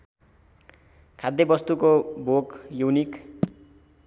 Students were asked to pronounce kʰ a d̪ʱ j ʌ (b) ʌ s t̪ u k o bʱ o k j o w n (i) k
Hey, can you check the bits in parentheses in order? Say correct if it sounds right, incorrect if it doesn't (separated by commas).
correct, correct